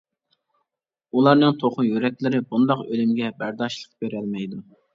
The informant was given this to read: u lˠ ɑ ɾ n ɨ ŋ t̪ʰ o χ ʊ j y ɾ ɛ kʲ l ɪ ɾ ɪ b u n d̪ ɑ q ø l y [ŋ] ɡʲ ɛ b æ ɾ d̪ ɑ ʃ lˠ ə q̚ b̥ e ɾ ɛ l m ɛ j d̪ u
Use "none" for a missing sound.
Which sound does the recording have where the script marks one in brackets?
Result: m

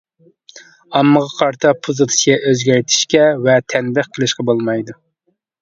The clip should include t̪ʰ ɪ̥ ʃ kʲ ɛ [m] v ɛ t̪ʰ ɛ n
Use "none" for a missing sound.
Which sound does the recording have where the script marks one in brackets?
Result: none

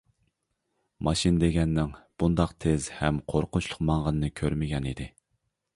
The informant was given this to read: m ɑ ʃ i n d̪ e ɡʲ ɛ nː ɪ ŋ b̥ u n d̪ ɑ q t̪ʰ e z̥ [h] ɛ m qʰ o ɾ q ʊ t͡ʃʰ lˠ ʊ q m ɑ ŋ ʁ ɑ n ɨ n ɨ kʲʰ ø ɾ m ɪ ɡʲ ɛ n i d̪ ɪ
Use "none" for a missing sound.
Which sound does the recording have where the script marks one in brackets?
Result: h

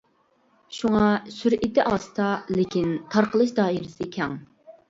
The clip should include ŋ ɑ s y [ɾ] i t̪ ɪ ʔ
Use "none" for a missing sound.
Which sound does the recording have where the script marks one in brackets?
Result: ɾ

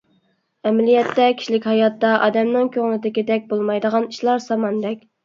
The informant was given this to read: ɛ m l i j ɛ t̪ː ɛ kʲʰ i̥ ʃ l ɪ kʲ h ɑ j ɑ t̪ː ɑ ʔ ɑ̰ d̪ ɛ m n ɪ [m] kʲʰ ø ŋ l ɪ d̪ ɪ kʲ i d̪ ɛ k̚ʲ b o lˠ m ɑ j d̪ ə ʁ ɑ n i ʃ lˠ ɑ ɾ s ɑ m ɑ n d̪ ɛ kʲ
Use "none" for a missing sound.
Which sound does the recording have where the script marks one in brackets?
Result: ŋ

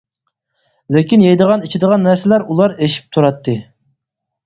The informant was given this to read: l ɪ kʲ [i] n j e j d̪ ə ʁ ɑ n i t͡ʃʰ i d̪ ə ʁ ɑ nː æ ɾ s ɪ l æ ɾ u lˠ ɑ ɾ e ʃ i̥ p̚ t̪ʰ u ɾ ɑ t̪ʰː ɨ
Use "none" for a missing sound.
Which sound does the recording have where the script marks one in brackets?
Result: i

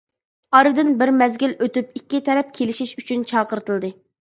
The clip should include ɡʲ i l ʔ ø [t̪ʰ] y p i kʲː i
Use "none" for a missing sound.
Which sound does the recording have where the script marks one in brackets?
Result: t̪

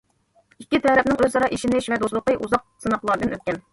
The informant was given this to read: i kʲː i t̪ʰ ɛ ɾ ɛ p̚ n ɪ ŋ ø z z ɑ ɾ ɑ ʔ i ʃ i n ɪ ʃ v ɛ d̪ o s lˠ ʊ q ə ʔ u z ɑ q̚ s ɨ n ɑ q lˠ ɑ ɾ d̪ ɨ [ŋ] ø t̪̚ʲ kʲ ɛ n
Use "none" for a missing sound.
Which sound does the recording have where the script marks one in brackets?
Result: n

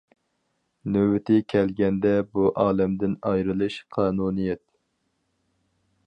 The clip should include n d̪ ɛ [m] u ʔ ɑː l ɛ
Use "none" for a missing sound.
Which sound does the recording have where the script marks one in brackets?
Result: b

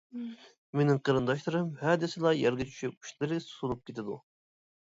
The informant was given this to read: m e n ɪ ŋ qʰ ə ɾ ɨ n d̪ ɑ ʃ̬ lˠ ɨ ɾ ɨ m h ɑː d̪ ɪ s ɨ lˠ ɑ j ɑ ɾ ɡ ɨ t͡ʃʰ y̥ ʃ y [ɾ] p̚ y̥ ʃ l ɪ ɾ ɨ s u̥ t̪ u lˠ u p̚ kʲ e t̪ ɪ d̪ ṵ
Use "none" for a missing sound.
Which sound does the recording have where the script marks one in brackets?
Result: none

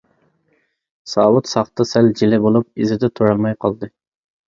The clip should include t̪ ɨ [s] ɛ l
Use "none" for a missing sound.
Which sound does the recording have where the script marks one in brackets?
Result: s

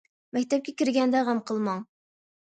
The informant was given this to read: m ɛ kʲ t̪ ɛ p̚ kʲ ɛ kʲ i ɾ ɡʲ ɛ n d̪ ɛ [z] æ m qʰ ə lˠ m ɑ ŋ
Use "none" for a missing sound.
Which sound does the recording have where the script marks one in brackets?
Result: ʁ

